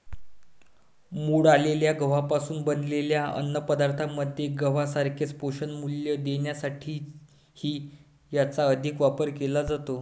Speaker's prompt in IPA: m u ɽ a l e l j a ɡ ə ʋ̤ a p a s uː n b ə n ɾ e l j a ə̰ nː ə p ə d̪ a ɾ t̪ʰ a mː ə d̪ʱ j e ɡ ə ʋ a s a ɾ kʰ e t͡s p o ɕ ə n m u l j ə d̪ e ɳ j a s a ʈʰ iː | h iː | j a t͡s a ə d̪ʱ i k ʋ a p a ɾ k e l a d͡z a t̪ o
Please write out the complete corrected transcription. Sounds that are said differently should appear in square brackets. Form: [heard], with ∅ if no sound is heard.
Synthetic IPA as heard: m u ɽ a l e l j a ɡ ə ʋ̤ a p a s uː n b ə n [l] e l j a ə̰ nː ə p ə d̪ a ɾ t̪ʰ a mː ə d̪ʱ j e ɡ ə ʋ a s a ɾ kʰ e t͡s p o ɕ ə n m u l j ə d̪ e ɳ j a s a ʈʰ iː | h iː | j a t͡s a ə d̪ʱ i k ʋ a p [ə] ɾ k e l a d͡z a t̪ o